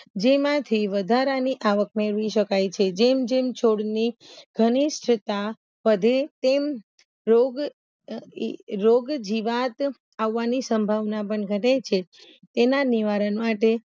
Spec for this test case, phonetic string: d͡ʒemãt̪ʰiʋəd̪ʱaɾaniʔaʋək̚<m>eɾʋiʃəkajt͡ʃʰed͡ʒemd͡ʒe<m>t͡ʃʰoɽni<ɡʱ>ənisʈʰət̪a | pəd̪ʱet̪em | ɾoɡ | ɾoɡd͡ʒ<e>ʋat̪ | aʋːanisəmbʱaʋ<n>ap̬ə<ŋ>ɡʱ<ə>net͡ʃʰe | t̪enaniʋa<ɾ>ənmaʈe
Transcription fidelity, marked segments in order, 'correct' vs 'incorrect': correct, correct, correct, incorrect, correct, incorrect, correct, correct

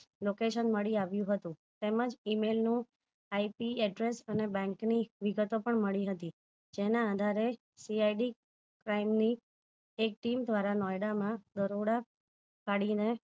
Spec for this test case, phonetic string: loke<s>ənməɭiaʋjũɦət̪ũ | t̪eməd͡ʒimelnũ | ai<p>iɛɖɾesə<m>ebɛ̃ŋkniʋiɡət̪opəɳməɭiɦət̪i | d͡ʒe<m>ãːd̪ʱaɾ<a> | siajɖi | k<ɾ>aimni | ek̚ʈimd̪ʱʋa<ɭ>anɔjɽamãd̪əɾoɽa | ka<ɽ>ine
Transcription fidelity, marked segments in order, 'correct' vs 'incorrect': incorrect, correct, incorrect, incorrect, incorrect, correct, incorrect, correct

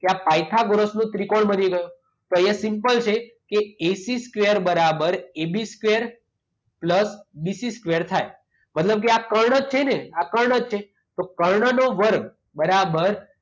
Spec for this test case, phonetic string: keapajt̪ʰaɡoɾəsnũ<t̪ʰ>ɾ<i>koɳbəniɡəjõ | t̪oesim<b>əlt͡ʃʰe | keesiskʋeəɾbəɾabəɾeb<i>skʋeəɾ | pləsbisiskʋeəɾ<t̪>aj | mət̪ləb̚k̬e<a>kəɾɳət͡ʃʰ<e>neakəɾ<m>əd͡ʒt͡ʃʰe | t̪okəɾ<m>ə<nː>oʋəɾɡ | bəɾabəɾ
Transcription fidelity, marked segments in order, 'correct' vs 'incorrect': incorrect, correct, incorrect, correct, incorrect, correct, correct, incorrect, incorrect, incorrect

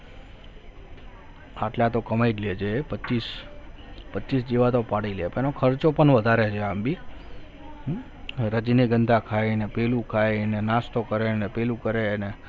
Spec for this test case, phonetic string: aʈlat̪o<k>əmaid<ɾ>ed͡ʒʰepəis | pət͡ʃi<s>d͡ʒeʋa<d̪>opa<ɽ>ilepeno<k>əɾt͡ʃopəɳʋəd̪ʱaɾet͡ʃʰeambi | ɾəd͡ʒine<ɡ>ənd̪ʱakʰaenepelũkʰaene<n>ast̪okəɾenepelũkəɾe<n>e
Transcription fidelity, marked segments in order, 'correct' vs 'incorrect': correct, incorrect, correct, incorrect, correct, incorrect, correct, correct, correct

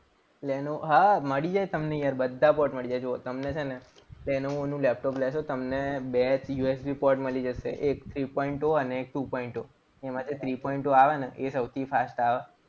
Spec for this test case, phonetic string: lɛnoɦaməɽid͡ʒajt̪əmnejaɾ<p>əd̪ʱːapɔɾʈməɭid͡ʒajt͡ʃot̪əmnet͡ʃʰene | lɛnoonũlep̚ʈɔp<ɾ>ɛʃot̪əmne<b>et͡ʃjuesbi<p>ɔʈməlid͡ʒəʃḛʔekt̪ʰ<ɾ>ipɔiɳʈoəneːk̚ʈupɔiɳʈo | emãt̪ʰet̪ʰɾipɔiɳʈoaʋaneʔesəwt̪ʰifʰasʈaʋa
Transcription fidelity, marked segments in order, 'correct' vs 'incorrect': incorrect, incorrect, correct, correct, correct

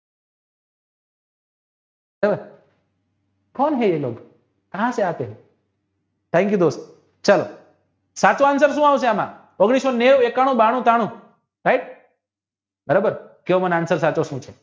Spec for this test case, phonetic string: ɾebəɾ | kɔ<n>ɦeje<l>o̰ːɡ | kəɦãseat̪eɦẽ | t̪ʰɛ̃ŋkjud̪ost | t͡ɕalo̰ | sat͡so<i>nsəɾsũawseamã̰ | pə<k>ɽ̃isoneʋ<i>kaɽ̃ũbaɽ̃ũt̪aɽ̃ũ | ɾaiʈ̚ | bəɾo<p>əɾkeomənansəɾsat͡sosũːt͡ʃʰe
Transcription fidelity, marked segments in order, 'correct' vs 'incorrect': correct, correct, incorrect, incorrect, incorrect, incorrect

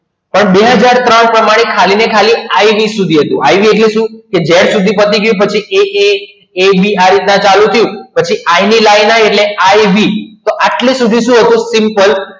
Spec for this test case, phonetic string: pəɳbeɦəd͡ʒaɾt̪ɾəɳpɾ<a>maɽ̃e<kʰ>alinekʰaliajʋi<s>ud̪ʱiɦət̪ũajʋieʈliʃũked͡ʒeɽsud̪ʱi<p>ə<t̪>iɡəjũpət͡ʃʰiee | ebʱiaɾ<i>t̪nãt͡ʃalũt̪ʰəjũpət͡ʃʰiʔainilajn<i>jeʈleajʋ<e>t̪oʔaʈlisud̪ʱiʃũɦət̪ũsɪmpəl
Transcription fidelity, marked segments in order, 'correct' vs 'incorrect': incorrect, correct, correct, correct, correct, correct, incorrect, incorrect

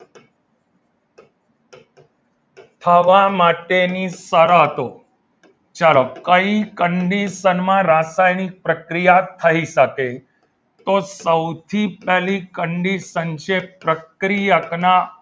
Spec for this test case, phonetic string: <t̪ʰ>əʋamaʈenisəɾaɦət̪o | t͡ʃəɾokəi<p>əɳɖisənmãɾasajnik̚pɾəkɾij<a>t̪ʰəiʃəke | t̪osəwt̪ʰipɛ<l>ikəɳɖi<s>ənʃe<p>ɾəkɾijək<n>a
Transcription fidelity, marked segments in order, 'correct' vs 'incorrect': correct, incorrect, correct, correct, correct, correct, correct

